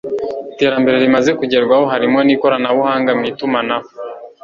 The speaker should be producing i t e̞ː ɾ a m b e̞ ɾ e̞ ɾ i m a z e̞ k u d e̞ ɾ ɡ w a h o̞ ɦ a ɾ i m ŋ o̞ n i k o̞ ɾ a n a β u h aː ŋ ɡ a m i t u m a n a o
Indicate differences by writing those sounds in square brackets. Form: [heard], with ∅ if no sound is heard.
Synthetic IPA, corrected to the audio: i t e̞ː ɾ a m b e̞ ɾ e̞ ɾ i m a z e̞ k u [ɟ] e̞ ɾ ɡ w a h o̞ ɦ a ɾ i m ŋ o̞ n i k o̞ ɾ a n a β u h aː ŋ ɡ a m i t u m a n a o